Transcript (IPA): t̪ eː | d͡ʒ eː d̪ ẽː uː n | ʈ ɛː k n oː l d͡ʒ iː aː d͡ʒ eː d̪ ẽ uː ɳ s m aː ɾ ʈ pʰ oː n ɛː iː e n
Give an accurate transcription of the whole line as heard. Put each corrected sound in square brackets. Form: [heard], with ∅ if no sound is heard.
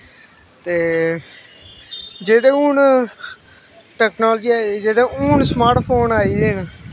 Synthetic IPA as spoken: t̪ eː | d͡ʒ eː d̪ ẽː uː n | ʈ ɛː k n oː l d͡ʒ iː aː d͡ʒ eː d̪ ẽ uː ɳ s m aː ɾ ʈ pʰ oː n [aː] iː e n